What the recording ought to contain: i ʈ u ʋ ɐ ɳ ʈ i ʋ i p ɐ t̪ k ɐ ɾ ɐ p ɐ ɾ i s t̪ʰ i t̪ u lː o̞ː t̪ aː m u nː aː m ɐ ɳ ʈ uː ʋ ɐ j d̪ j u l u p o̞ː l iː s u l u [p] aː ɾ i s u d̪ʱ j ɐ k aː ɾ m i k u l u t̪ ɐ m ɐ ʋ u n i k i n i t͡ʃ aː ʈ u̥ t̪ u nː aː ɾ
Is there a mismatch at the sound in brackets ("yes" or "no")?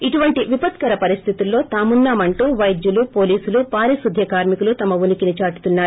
no